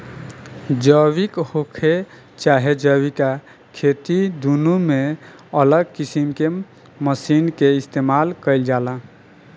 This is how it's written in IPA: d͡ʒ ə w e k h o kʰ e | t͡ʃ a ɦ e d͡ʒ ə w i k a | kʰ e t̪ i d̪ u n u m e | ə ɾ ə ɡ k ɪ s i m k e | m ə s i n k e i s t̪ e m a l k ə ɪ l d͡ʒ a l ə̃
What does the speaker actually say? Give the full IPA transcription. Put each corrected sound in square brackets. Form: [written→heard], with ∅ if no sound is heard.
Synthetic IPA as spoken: d͡ʒ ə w [e→i] k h o kʰ e | t͡ʃ a ɦ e d͡ʒ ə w i k a | kʰ e t̪ i d̪ u n u m e | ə [ɾ→l] ə ɡ k [ɪ→i] s i m k e | m ə s i n k e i s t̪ e m a l k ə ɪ l d͡ʒ a l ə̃